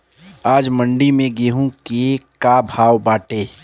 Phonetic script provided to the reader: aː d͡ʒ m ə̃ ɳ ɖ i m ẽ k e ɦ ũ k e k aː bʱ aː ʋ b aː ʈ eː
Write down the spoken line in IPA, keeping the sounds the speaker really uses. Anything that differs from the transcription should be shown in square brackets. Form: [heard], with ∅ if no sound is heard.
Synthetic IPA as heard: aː d͡ʒ m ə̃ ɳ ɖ i m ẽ [ɡ] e ɦ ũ k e k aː bʱ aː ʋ b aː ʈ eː